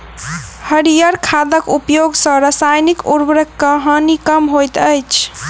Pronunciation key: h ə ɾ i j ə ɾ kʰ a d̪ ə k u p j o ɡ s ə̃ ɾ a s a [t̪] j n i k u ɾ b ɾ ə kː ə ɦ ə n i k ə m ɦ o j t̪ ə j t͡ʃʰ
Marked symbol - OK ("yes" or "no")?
no